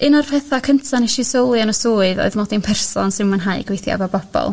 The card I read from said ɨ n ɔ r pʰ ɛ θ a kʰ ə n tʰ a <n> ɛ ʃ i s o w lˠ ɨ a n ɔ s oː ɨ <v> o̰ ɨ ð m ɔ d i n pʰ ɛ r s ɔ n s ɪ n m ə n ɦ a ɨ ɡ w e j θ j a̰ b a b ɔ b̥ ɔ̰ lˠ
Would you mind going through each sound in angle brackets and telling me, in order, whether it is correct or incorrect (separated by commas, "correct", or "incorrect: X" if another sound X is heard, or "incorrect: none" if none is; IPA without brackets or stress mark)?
correct, incorrect: ð